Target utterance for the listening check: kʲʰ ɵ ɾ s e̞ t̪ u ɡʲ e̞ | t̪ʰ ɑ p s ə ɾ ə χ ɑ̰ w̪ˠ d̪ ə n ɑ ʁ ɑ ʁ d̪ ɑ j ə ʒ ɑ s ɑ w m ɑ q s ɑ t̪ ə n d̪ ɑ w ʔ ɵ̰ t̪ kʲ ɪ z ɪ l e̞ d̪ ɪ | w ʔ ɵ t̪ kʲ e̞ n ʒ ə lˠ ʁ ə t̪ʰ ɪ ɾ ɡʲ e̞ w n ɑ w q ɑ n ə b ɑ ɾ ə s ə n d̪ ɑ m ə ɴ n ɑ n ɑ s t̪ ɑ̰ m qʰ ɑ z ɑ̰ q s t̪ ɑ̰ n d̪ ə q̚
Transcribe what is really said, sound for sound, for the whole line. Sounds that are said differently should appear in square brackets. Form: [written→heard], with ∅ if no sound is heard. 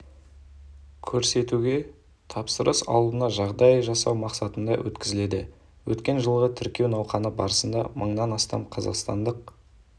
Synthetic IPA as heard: kʲʰ ɵ ɾ s e̞ t̪ u ɡʲ e̞ | t̪ʰ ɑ p s ə ɾ ə [χ→s] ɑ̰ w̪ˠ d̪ ə n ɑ [ʁ→ʒ] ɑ ʁ d̪ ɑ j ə ʒ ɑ s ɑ w m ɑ q s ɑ t̪ ə n d̪ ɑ w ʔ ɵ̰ t̪ kʲ ɪ z ɪ l e̞ d̪ ɪ | w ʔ ɵ t̪ kʲ e̞ n ʒ ə lˠ ʁ ə t̪ʰ ɪ ɾ [ɡʲ→kʲ] e̞ w n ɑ w q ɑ n ə b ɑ ɾ ə s ə n d̪ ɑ m ə ɴ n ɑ n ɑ s t̪ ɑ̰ m qʰ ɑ z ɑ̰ q s t̪ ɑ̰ n d̪ ə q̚